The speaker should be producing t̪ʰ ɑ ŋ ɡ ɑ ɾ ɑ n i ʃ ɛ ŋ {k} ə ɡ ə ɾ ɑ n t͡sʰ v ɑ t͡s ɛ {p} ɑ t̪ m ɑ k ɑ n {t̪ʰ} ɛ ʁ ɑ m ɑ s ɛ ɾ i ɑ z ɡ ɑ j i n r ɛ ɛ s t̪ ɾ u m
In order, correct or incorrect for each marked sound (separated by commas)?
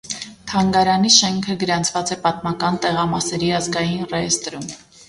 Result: incorrect, correct, incorrect